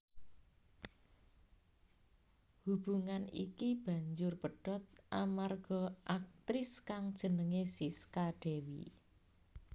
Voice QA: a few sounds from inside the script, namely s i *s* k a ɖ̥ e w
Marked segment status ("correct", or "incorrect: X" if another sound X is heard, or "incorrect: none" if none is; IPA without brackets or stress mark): correct